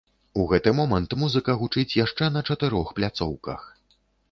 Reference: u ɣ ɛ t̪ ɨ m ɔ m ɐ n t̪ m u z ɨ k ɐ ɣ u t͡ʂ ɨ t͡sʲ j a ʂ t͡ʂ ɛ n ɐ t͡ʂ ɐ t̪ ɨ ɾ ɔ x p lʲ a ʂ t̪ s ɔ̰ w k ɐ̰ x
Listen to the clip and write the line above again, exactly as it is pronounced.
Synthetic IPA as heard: u ɣ ɛ t̪ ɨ m ɔ m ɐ n t̪ m u z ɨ k ɐ ɣ u t͡ʂ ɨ t͡sʲ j a ʂ t͡ʂ ɛ n ɐ t͡ʂ ɐ t̪ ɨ ɾ ɔ x p lʲ a t̪ s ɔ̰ w k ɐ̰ x